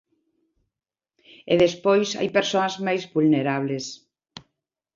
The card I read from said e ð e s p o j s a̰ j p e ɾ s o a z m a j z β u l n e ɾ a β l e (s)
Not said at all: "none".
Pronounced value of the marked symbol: s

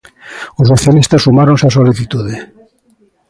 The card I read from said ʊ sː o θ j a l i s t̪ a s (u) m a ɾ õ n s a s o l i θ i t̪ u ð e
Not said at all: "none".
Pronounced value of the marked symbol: u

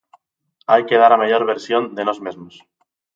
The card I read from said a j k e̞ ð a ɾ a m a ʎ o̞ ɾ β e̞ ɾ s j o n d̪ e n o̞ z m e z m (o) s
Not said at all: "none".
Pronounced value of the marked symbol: o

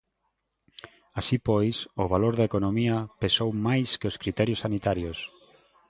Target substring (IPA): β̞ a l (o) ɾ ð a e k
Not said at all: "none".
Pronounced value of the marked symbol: o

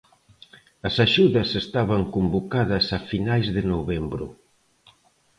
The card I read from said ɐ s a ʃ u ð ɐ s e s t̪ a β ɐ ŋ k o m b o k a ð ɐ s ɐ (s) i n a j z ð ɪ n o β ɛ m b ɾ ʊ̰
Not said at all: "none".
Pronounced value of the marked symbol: f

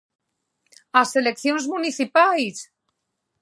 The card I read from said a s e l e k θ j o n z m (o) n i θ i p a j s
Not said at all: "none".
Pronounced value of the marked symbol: u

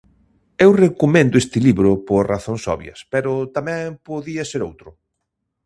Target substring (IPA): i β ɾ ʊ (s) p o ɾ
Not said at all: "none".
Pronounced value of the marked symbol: none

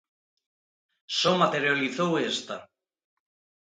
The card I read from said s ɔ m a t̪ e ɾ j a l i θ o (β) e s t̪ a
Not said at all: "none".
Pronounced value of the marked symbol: w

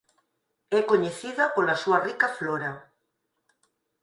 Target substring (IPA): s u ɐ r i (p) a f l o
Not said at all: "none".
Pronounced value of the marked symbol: k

